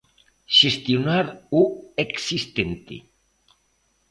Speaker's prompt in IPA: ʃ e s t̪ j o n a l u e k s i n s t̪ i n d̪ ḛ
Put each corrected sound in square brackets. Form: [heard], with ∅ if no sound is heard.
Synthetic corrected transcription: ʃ e s t̪ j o n a [ɾ] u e k s i [∅] s t̪ [e] n [t̪] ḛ

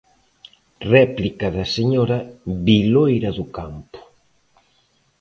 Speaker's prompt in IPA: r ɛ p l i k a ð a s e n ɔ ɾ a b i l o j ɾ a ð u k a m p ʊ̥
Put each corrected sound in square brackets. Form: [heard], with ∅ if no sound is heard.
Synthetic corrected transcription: r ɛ p l i k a ð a s e [ɲ] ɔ ɾ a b i l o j ɾ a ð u k a m p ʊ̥

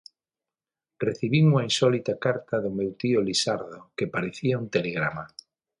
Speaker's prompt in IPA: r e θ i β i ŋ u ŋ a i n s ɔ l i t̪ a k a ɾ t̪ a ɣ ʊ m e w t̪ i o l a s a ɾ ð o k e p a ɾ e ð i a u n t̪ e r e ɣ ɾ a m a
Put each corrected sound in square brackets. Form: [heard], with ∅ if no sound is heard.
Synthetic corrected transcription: r e θ i β i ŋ u ŋ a i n s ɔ l i t̪ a k a ɾ t̪ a [ð] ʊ m e w t̪ i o l [i] s a ɾ ð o k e p a ɾ e [θ] i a u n t̪ e [l] e ɣ ɾ a m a

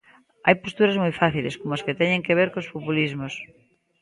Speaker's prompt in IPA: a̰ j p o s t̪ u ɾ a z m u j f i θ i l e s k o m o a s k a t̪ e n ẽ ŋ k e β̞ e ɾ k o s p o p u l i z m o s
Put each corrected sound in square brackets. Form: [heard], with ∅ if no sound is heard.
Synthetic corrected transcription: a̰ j p o s t̪ u ɾ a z m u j f [a] θ i l e s k o m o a s k [e] t̪ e [ɲ] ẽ ŋ k e β̞ e ɾ k o s p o p u l i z m o s

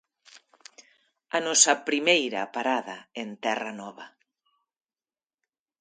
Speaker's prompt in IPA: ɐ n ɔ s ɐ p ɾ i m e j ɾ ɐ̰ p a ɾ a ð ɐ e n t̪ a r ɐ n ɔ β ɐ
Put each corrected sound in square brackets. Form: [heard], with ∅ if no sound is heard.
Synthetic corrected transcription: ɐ n ɔ s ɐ p ɾ i m e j ɾ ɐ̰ p a ɾ a ð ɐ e n t̪ [ɛ] r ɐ n ɔ β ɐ

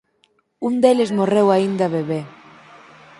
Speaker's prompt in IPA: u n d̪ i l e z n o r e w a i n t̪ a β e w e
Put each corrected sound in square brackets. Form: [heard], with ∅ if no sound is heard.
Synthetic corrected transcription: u n d̪ [e] l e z [m] o r e w a i n [d̪] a β e [β] e

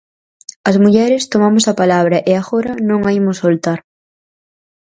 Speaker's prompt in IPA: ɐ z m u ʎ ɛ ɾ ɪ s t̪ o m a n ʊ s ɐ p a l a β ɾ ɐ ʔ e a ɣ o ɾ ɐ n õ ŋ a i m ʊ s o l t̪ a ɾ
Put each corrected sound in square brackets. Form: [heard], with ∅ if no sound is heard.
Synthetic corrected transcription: ɐ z m u ʎ ɛ ɾ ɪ s t̪ o m a [m] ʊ s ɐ p a l a β ɾ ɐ ʔ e a ɣ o ɾ ɐ n õ ŋ a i m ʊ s o l t̪ a ɾ

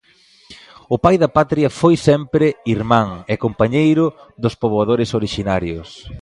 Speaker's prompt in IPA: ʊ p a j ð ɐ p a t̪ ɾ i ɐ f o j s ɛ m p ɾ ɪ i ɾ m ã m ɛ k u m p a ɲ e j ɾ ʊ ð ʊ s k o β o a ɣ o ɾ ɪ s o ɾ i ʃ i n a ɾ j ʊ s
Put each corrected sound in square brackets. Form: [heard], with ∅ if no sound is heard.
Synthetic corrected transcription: ʊ p a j ð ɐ p a t̪ ɾ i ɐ f o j s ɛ m p ɾ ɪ i ɾ m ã [ŋ] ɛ k [o] m p a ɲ e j ɾ ʊ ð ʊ s [p] o β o a [ð] o ɾ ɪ s o ɾ i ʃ i n a ɾ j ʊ s

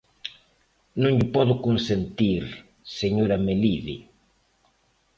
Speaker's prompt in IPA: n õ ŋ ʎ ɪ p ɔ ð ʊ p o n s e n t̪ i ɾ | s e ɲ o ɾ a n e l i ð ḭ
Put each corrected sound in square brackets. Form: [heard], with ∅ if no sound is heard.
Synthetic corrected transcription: n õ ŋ ʎ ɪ p ɔ ð ʊ [k] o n s e n t̪ i ɾ | s e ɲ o ɾ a [m] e l i ð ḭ

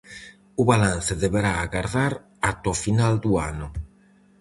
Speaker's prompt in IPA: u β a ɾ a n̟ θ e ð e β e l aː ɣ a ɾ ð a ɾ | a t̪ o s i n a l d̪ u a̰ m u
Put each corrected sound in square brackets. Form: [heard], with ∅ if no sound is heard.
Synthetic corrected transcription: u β a [l] a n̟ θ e ð e β e [ɾ] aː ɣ a ɾ ð a ɾ | a t̪ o [f] i n a l d̪ u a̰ [n] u

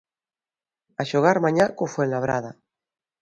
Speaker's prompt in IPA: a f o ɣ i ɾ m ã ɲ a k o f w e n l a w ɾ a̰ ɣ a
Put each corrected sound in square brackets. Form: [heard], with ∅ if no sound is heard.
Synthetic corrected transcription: a [ʃ] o ɣ [a] ɾ m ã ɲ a k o f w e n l a [β] ɾ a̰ [ð] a

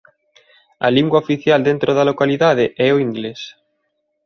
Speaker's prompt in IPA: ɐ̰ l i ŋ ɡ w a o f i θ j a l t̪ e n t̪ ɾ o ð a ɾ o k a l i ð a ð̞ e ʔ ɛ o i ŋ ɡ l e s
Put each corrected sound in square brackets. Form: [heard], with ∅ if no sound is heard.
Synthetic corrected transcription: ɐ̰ l i ŋ ɡ w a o f i θ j a l [d̪] e n t̪ ɾ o ð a [l] o k a l i ð a ð̞ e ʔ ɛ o i ŋ ɡ l e s

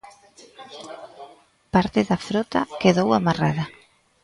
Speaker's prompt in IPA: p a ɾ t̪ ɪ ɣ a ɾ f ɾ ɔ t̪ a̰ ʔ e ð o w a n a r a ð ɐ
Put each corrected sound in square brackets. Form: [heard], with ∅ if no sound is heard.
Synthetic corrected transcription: p a ɾ t̪ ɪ [ð] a [∅] f ɾ ɔ t̪ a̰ [k] e ð o w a [m] a r a ð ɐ

